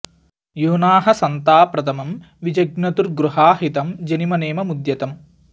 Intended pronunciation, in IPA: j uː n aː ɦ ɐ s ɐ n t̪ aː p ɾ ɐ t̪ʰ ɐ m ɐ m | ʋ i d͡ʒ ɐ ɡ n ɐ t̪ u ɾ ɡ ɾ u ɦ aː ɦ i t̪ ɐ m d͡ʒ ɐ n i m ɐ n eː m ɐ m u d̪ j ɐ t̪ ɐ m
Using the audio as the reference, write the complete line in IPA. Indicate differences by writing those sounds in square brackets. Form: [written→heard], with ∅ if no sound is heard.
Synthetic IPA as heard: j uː n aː ɦ ɐ s ɐ n t̪ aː p ɾ ɐ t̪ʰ ɐ m ɐ m | ʋ i d͡ʒ ɐ ɡ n ɐ t̪ u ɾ ɡ ɾ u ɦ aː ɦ i t̪ ɐ m d͡ʒ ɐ n i m ɐ n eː m ɐ m u d̪ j ɐ t̪ ɐ m